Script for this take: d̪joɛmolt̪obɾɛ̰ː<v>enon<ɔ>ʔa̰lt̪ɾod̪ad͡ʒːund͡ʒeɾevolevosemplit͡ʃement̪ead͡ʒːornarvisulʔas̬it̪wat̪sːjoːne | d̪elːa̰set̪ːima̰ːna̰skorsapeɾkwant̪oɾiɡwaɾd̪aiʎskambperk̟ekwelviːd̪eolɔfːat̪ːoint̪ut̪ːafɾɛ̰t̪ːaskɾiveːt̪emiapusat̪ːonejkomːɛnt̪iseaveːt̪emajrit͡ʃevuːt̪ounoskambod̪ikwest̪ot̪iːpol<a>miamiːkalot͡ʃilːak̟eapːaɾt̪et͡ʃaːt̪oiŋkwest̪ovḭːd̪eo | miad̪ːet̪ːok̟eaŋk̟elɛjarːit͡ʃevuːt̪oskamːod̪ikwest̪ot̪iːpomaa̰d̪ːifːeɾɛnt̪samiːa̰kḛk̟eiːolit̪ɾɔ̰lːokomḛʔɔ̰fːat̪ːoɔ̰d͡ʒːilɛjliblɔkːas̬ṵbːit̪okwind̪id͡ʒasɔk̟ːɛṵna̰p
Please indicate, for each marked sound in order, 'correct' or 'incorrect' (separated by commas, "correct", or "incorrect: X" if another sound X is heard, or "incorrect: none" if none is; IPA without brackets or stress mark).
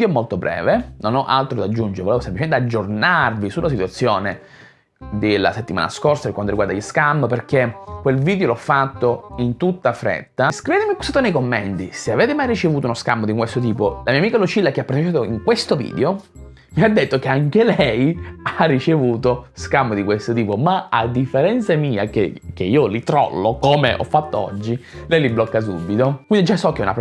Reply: correct, correct, correct